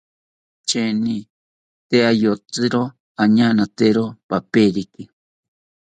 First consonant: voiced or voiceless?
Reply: voiceless